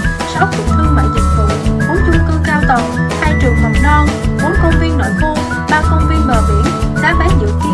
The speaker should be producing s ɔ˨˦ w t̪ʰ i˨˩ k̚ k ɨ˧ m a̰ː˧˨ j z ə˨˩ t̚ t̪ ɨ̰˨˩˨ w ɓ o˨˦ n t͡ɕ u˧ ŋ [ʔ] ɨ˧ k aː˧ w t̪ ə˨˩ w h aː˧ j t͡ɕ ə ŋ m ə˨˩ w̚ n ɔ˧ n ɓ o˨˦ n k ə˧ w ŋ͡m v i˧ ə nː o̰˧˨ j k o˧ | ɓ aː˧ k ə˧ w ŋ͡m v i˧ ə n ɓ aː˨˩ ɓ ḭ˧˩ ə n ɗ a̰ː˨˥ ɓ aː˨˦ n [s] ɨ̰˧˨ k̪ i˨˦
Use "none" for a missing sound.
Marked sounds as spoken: k, z

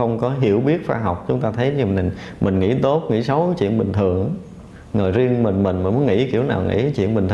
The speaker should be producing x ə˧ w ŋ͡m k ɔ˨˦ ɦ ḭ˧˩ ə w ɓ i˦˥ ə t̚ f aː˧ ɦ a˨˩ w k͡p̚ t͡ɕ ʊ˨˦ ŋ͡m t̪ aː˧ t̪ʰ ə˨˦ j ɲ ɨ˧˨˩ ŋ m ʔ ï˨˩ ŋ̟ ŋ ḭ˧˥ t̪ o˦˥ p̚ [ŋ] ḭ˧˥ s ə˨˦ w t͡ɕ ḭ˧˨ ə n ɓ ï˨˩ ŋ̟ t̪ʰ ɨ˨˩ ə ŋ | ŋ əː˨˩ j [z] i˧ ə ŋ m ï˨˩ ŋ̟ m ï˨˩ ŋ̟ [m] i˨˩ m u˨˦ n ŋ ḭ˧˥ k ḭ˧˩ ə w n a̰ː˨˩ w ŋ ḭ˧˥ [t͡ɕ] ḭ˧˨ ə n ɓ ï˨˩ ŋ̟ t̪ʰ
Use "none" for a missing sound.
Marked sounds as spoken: ŋ, z, m, t͡ɕ

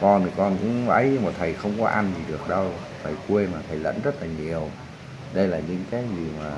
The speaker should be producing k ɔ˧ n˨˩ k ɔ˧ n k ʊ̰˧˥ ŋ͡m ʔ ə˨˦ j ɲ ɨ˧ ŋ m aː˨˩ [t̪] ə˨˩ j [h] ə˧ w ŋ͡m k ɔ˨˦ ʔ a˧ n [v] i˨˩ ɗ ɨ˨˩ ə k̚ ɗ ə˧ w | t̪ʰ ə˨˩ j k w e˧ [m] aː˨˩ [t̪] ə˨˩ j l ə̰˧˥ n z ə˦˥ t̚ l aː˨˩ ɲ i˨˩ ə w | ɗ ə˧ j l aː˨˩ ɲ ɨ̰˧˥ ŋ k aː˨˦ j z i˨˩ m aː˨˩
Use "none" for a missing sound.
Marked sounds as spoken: t̪ʰ, x, z, m, t̪ʰ

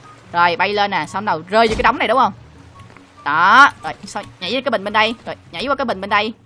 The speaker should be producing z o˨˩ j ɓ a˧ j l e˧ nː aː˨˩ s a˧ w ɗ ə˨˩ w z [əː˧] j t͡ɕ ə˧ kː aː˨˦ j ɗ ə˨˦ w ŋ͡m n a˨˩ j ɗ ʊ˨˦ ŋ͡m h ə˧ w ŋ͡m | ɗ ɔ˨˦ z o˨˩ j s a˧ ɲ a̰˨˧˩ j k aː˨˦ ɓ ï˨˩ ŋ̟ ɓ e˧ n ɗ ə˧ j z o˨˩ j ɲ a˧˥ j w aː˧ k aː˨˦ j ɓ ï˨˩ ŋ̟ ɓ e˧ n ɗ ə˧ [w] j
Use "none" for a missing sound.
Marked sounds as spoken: əː˧, none

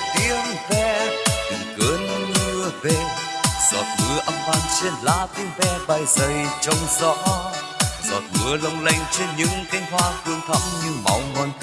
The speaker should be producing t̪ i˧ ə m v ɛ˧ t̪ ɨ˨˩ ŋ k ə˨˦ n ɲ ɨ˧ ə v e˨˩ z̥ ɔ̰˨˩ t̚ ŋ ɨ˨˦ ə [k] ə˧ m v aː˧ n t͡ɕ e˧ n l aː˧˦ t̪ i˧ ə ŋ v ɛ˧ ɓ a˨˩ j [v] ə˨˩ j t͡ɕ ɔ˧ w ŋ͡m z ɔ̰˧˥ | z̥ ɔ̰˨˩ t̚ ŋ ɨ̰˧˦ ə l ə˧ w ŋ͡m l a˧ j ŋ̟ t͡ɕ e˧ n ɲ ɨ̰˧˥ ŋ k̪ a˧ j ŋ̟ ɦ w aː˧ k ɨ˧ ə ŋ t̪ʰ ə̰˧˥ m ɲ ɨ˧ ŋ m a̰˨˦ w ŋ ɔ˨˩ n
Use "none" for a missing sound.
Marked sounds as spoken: ʔ, z

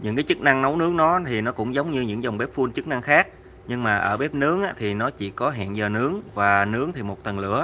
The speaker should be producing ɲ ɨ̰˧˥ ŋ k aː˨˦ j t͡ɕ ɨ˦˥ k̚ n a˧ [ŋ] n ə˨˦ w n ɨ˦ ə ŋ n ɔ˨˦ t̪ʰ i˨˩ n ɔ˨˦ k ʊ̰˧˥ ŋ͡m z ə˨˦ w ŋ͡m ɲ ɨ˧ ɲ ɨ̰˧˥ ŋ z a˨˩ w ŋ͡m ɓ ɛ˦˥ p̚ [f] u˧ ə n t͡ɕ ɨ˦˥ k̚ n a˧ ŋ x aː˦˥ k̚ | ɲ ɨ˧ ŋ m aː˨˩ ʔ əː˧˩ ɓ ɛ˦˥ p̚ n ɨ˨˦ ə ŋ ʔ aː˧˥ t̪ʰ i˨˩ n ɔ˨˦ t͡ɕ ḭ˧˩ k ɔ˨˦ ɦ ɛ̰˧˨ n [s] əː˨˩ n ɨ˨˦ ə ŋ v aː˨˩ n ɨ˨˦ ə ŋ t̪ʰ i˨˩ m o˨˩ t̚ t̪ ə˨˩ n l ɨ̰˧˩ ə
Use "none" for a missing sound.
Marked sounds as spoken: ŋ, f, z

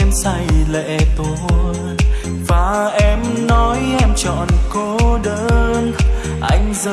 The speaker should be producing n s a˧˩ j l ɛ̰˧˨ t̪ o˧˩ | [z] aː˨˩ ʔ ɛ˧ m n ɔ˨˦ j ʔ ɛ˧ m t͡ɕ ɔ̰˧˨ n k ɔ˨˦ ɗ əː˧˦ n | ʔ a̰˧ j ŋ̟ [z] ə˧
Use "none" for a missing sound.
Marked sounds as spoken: v, z

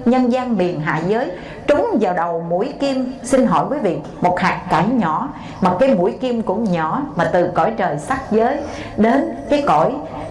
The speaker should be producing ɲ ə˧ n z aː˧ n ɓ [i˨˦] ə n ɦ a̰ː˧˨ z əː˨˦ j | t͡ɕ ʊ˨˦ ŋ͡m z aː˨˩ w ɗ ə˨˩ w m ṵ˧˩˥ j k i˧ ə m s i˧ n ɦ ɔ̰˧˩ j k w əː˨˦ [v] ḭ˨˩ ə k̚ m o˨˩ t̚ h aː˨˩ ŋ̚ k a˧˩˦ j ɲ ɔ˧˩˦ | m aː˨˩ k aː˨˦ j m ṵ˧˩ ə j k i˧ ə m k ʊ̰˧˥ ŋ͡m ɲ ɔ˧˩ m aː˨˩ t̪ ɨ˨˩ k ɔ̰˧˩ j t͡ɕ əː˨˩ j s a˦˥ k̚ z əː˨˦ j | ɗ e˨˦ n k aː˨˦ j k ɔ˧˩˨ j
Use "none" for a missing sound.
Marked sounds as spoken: i˨˩, v

